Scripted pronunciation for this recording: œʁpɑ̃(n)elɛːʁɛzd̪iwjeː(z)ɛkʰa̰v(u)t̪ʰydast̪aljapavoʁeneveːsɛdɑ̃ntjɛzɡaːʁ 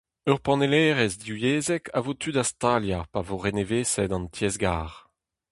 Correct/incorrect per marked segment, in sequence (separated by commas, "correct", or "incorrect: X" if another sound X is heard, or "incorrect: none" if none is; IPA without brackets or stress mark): correct, correct, incorrect: o